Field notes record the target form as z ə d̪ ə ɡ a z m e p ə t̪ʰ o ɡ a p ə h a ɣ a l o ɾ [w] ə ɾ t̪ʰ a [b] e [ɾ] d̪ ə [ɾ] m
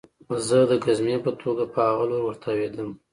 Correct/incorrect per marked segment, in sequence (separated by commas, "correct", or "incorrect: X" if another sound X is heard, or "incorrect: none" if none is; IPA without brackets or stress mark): correct, incorrect: w, incorrect: none, incorrect: none